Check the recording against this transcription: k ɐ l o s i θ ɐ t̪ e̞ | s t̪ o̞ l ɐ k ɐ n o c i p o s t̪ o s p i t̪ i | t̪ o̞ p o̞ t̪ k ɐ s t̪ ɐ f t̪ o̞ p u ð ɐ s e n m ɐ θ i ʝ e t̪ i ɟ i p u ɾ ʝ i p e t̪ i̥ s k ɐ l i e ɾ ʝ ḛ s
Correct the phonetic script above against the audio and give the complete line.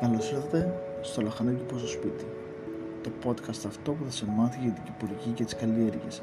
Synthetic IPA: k ɐ l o s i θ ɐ t̪ e̞ | s t̪ o̞ l ɐ x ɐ n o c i p o s t̪ o s p i t̪ i | t̪ o̞ p o̞ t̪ k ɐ s t̪ ɐ f t̪ o̞ p u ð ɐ s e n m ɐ θ i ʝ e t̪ i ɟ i p u ɾ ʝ i c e t̪ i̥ s k ɐ l i e ɾ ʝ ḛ s